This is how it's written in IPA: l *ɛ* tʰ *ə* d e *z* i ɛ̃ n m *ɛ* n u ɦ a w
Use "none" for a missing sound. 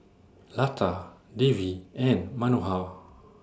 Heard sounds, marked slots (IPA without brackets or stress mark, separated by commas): a, a, v, a